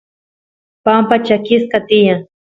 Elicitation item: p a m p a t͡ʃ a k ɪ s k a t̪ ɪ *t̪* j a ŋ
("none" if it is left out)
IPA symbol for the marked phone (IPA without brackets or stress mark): none